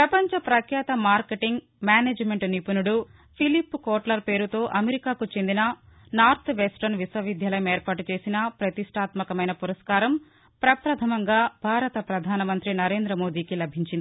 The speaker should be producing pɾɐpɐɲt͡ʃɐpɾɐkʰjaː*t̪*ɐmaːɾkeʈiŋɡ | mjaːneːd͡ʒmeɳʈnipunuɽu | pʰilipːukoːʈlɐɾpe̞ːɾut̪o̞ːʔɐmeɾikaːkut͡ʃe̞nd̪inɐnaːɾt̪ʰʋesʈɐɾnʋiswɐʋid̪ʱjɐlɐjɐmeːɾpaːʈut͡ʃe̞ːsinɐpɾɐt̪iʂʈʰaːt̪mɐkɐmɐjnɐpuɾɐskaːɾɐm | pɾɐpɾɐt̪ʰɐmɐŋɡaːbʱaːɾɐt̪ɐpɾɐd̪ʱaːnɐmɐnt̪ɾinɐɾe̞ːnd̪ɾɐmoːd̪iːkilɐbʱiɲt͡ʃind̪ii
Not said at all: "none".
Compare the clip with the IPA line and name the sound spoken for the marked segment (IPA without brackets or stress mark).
t̪